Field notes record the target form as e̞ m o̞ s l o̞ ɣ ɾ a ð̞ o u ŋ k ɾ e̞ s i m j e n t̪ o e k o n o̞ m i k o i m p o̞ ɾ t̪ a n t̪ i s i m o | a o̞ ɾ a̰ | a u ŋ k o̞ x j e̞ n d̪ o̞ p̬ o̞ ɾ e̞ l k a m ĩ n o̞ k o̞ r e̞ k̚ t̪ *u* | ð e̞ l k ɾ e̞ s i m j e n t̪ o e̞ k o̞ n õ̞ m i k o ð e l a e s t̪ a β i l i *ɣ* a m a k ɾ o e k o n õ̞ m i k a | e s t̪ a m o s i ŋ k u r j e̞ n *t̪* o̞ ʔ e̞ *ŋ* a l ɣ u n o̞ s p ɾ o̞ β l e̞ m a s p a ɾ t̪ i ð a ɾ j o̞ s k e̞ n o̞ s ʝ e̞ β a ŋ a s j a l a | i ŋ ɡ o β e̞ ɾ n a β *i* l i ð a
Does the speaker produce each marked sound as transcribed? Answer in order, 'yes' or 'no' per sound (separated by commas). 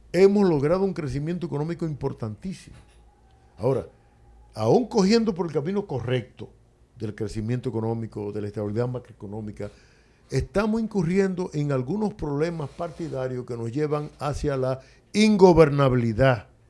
no, no, no, yes, yes